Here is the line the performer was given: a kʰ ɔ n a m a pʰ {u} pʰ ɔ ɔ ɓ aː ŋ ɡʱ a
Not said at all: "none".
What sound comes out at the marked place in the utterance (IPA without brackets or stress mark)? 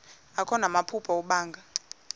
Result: u